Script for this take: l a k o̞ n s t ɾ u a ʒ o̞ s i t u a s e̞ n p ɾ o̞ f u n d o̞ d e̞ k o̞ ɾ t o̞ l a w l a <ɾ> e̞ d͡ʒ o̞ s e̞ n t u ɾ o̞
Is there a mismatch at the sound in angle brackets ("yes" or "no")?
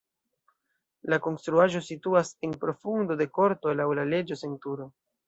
yes